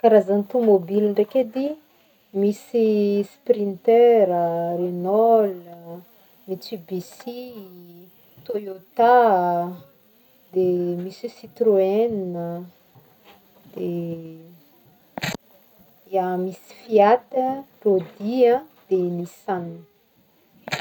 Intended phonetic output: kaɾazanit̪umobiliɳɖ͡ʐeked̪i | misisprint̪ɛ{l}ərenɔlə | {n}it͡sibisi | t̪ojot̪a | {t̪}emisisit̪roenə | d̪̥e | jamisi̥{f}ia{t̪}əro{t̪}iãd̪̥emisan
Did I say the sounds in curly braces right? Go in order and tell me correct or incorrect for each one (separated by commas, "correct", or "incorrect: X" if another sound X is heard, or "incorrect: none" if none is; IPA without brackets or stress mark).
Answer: incorrect: ɾ, incorrect: m, incorrect: d̪, correct, correct, incorrect: d̪